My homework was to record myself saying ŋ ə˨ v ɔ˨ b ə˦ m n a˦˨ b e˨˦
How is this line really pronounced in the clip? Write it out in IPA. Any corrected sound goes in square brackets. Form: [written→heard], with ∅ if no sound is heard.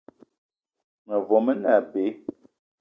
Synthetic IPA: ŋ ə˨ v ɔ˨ [b→m] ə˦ [m→∅] n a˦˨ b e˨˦